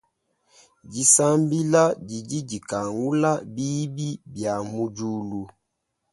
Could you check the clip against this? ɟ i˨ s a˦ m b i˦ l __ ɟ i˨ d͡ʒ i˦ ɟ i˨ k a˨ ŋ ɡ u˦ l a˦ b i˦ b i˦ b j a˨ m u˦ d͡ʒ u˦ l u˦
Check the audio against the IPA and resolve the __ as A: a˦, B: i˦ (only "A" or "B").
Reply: A